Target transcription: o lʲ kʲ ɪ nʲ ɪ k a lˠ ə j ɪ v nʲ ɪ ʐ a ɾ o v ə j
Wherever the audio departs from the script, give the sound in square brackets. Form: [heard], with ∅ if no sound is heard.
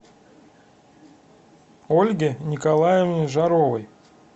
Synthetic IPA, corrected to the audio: o lʲ [ɡʲ] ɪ nʲ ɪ k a lˠ [a] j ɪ v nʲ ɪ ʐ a ɾ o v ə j